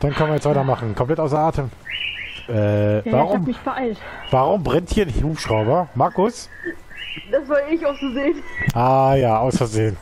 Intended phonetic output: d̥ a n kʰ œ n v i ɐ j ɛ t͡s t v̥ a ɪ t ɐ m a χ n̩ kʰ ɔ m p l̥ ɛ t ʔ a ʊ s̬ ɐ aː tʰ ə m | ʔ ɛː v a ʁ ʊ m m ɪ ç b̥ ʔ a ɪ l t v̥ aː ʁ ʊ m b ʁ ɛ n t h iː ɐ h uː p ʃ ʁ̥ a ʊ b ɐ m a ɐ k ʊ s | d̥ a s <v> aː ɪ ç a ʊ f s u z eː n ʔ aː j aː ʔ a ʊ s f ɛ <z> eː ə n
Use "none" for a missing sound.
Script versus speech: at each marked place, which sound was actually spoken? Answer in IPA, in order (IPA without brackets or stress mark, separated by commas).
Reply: v, z